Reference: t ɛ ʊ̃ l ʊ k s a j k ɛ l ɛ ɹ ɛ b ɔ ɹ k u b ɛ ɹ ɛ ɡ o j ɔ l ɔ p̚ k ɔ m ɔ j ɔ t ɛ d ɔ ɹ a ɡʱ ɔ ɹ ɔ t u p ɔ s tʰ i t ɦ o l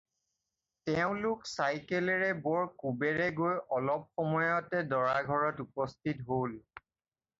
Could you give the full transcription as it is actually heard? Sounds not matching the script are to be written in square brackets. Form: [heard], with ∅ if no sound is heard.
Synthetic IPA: t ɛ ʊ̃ l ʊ k s a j k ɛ l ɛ ɹ ɛ b ɔ ɹ k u b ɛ ɹ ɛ ɡ o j ɔ l ɔ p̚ [x] ɔ m ɔ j ɔ t ɛ d ɔ ɹ a ɡʱ ɔ ɹ ɔ t u p ɔ s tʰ i t ɦ o l